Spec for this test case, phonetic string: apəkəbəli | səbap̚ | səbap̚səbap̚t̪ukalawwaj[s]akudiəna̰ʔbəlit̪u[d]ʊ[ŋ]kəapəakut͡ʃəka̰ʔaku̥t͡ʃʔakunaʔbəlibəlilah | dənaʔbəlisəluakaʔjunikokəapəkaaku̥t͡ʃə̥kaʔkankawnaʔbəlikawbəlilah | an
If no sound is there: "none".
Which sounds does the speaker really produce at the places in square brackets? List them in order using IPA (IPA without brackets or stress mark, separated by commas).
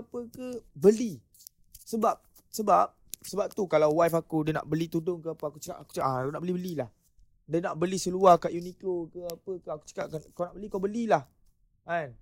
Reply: f, d, ŋ